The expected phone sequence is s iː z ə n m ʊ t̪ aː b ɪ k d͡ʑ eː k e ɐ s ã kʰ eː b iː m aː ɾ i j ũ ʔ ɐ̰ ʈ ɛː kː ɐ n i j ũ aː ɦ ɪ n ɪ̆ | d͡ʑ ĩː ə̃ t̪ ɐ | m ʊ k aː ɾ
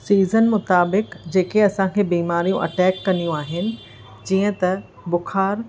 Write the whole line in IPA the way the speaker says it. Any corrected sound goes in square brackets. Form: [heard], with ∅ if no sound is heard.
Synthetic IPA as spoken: s iː z ə n m ʊ t̪ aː b ɪ k d͡ʑ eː k e ɐ s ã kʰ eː b iː m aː ɾ i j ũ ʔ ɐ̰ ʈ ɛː kː ɐ n i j ũ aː ɦ ɪ n ɪ̆ | d͡ʑ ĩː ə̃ t̪ ɐ | [b] ʊ [x] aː ɾ